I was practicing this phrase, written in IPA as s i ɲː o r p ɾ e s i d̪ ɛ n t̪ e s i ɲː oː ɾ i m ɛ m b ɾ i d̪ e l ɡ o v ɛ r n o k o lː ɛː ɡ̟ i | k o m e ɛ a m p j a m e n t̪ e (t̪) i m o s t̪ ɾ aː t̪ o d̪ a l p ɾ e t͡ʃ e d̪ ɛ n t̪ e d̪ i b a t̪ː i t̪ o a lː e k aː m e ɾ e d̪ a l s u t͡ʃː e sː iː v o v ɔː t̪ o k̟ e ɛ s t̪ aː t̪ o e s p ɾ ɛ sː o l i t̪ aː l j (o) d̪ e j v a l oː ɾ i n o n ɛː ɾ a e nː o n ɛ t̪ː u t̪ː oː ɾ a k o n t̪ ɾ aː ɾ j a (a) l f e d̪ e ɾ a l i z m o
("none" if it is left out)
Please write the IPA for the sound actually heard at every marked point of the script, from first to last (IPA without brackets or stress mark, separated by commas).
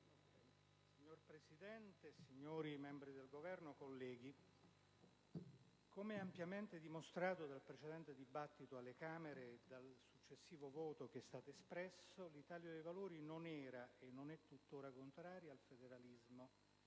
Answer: d̪, o, a